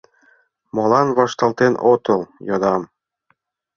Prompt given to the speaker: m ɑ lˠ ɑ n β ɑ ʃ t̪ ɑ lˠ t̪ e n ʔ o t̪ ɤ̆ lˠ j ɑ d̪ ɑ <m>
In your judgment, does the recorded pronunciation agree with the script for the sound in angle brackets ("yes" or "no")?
yes